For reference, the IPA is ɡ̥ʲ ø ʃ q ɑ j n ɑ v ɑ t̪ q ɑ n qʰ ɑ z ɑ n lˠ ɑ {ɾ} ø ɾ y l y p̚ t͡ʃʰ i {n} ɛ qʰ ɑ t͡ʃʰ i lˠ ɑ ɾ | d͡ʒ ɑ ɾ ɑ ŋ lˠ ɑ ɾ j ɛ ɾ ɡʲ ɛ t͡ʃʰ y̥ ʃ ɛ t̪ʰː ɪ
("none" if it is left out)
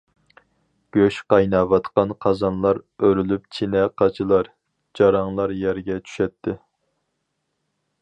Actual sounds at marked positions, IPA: ɾ, n

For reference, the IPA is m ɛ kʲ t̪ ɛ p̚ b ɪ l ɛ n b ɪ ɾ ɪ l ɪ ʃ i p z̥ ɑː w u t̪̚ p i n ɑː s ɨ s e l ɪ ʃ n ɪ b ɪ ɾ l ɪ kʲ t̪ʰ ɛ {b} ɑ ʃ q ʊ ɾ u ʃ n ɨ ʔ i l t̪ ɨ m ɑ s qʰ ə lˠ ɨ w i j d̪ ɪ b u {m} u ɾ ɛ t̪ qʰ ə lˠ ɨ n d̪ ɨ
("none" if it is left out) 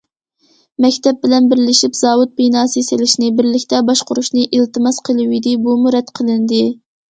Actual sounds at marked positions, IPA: b, m

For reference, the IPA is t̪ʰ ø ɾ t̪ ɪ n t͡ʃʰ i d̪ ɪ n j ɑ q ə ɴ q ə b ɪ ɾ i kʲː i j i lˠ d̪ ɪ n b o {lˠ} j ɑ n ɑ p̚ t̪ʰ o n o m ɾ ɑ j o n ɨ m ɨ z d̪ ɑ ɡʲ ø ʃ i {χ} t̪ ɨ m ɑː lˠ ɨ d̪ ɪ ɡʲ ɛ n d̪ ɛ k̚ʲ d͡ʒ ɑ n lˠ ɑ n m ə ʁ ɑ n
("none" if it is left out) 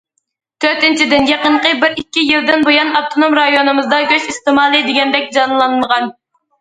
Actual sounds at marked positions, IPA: none, s

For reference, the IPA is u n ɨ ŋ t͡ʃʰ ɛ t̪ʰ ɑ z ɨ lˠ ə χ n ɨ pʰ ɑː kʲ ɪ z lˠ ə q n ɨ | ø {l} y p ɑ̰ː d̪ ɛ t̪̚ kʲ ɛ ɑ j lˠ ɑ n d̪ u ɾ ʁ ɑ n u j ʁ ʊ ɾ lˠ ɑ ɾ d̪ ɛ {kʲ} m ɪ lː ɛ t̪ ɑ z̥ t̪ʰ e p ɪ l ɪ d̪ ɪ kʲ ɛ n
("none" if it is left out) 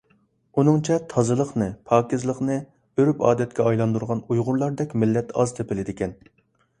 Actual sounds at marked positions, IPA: ɾ, kʲ

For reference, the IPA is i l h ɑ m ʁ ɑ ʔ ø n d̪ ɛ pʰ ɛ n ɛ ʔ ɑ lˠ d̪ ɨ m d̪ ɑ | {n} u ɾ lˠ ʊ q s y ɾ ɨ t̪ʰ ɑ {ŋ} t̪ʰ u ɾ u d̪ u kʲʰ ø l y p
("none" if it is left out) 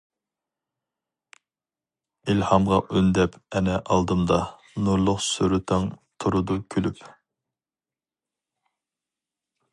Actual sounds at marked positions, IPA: n, ŋ

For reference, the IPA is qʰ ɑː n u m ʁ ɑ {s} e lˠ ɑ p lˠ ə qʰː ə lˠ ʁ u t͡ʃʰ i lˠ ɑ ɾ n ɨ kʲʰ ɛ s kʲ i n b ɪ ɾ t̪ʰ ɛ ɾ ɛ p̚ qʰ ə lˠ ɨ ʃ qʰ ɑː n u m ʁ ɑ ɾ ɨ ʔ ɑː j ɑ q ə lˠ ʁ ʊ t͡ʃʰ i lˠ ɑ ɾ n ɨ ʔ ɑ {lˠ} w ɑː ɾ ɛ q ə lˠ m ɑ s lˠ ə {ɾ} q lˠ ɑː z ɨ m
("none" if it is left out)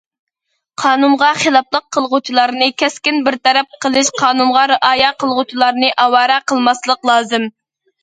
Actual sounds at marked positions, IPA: χ, none, none

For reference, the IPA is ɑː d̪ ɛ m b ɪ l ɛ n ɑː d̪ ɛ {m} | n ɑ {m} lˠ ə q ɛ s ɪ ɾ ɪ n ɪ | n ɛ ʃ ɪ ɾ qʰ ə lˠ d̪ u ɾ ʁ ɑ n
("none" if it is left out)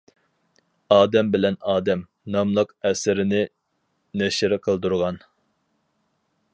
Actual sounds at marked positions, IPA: m, m

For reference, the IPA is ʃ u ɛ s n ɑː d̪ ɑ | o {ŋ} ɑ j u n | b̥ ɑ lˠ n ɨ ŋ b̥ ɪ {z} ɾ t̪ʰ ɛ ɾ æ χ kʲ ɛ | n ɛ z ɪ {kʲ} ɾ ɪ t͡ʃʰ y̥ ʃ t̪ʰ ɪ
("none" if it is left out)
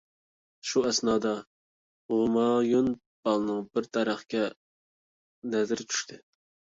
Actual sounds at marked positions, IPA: m, none, none

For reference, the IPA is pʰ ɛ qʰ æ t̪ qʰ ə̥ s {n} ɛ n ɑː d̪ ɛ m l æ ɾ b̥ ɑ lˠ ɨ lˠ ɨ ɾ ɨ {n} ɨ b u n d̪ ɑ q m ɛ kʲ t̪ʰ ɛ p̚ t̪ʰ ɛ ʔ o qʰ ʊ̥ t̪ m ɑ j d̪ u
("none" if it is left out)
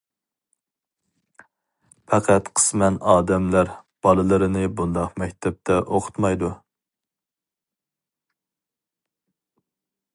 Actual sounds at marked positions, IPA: m, n

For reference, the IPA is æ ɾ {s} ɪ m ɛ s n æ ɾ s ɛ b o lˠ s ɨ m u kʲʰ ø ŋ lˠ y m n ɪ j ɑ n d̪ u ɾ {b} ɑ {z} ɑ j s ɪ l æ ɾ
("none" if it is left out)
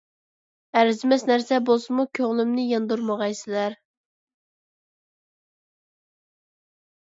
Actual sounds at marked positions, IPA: z, m, ʁ

